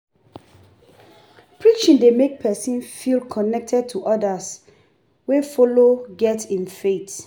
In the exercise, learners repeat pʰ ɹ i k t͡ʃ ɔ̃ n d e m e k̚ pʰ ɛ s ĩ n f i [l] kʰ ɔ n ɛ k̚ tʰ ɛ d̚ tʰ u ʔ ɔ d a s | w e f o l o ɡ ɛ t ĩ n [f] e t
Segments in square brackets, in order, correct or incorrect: correct, correct

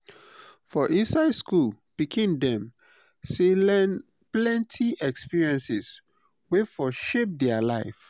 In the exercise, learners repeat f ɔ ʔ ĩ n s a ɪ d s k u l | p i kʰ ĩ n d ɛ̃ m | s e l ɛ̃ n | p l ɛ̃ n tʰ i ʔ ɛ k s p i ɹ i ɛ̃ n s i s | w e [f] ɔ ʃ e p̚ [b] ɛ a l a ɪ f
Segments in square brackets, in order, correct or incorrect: correct, incorrect

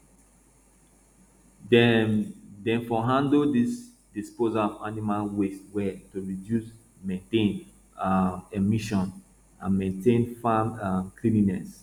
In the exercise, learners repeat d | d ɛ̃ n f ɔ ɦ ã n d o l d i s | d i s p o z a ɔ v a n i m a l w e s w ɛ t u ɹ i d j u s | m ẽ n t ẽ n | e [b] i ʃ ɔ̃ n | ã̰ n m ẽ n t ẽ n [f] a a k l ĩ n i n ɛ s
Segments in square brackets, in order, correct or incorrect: incorrect, correct

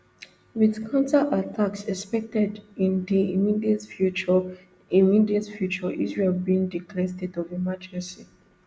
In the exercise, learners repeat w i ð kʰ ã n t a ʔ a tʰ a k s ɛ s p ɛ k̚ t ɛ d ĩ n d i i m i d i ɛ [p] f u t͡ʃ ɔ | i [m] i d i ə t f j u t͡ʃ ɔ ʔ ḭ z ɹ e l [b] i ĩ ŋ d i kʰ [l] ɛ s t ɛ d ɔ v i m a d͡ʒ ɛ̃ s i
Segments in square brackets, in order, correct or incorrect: incorrect, correct, correct, correct

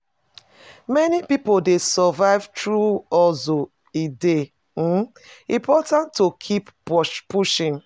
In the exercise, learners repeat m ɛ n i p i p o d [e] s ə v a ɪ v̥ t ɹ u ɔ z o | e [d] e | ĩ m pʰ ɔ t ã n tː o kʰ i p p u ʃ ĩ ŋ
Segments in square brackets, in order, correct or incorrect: correct, correct

